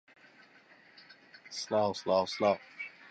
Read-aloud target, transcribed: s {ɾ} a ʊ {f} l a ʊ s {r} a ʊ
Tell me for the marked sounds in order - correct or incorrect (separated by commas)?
incorrect, incorrect, incorrect